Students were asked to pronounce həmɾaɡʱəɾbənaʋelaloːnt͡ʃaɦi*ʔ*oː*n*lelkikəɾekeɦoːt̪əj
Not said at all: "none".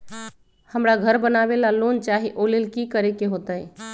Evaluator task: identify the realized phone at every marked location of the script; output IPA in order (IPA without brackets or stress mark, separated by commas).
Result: ʔ, none